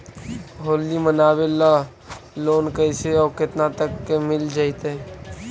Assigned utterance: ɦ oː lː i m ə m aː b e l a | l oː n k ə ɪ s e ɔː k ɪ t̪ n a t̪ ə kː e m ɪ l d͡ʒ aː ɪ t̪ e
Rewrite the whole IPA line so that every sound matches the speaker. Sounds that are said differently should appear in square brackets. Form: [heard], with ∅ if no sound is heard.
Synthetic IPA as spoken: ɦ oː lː i m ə [n] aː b e l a | l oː n k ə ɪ s e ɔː k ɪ t̪ n a t̪ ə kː e m ɪ l d͡ʒ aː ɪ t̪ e